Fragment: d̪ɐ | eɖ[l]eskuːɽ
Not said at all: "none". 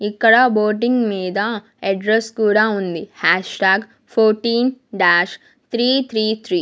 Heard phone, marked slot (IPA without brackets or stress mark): ɾ